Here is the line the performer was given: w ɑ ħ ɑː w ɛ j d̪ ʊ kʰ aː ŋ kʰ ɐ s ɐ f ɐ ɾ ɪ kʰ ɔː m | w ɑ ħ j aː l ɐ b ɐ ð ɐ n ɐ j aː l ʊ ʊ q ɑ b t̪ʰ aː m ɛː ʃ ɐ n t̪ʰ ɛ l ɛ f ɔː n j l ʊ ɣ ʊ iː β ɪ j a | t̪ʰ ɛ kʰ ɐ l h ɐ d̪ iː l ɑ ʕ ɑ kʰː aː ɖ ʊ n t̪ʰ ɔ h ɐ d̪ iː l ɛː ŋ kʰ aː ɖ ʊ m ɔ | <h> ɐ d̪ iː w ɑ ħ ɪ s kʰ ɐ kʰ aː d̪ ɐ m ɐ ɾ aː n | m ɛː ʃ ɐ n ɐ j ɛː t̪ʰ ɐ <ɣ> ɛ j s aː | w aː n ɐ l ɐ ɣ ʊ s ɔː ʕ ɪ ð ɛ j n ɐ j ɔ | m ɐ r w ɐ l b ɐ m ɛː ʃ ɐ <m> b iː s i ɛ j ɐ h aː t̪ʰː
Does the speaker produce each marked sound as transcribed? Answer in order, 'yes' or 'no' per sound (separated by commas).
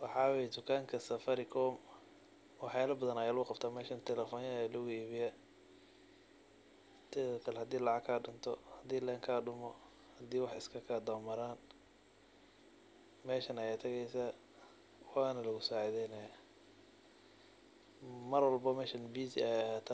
yes, yes, no